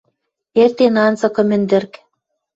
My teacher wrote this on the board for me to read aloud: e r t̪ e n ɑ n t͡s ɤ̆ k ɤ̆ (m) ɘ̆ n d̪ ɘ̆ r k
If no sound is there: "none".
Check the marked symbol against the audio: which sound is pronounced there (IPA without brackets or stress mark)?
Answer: m